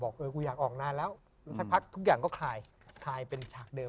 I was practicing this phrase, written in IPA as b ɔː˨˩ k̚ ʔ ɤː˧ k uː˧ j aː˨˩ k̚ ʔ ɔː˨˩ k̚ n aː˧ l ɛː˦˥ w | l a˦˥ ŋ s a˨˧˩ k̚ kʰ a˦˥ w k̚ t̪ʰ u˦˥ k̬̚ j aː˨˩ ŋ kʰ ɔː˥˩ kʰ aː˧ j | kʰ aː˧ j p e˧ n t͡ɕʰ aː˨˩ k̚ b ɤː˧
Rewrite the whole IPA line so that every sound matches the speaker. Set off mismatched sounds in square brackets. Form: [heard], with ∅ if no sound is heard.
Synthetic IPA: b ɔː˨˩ k̚ ʔ ɤː˧ k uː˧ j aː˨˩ k̚ ʔ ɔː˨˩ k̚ n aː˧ l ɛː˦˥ w | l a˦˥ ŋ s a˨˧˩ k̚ [pʰ] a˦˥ [∅] k̚ t̪ʰ u˦˥ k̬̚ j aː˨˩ ŋ [k] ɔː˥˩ kʰ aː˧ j | kʰ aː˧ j p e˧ n t͡ɕʰ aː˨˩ k̚ [d] ɤː˧